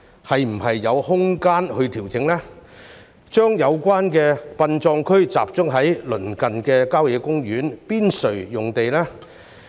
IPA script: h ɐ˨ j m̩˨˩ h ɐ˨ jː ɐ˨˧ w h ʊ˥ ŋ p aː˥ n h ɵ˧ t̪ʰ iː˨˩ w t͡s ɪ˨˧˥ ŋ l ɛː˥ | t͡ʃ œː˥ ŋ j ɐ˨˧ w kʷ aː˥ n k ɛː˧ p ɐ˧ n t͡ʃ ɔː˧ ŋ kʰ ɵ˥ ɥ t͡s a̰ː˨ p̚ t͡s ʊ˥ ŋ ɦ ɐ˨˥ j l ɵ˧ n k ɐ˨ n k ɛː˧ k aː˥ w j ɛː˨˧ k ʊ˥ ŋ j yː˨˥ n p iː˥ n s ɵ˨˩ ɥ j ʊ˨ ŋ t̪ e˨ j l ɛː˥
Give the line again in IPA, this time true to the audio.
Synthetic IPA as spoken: h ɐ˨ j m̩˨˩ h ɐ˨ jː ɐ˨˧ w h ʊ˥ ŋ k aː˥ n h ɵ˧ t̪ʰ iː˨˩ w t͡s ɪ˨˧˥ ŋ l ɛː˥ | t͡ʃ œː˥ ŋ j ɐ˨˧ w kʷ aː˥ n k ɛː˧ p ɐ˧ n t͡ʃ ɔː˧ ŋ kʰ ɵ˥ ɥ t͡s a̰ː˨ p̚ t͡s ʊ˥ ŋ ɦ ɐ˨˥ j l ɵ˨˩ n k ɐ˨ n k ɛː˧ k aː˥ w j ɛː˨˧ k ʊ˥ ŋ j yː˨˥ n p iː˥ n s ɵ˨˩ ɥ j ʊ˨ ŋ t̪ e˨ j l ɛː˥